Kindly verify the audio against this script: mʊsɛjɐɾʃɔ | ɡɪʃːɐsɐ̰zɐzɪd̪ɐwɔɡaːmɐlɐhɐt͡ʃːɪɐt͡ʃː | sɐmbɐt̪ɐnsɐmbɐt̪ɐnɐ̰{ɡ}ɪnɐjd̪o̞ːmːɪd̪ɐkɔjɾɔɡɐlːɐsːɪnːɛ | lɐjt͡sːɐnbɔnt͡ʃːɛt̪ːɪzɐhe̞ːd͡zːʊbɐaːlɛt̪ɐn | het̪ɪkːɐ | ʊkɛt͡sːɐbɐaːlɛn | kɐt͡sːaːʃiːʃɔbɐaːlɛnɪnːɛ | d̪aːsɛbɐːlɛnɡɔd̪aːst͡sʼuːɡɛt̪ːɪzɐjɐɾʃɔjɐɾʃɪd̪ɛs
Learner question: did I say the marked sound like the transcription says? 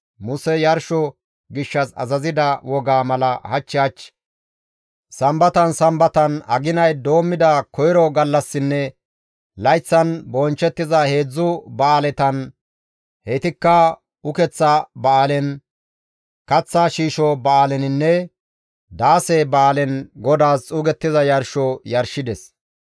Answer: yes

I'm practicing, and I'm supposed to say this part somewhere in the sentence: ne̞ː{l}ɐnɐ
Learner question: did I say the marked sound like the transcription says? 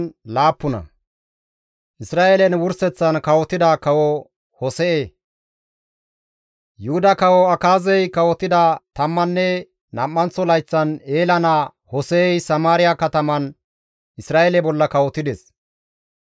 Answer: yes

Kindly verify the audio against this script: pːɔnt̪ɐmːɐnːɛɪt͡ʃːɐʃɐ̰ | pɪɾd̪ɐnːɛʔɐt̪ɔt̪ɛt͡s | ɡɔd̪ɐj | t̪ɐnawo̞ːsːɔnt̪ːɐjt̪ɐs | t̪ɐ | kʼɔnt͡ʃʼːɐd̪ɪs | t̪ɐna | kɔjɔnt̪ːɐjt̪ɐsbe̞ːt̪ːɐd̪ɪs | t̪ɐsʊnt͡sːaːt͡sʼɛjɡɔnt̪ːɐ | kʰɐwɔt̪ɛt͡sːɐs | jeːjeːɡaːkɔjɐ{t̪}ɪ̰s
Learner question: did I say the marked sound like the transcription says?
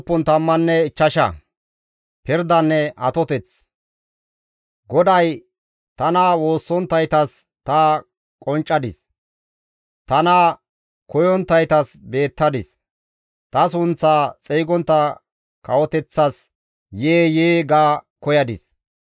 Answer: no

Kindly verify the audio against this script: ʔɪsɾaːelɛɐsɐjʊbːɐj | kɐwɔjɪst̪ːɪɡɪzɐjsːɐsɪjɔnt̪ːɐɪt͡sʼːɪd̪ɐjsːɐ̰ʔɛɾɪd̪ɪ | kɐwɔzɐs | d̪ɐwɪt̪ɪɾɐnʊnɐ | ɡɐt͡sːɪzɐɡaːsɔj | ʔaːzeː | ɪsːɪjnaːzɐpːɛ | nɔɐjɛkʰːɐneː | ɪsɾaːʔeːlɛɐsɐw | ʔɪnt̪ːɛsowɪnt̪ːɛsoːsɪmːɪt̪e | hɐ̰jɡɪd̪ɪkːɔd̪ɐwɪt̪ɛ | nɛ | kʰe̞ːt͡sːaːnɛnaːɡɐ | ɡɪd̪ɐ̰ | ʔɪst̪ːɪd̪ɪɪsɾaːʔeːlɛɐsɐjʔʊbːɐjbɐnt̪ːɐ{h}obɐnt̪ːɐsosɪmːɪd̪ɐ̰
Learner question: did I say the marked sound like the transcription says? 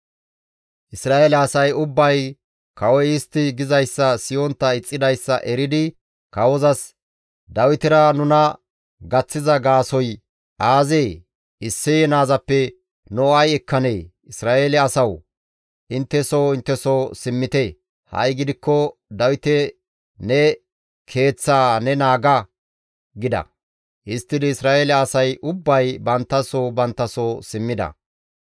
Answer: no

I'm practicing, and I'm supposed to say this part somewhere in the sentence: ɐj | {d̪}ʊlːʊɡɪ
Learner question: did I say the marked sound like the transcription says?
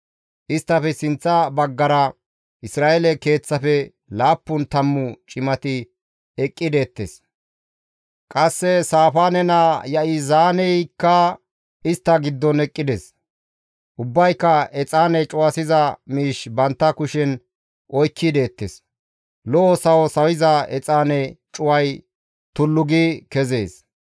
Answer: no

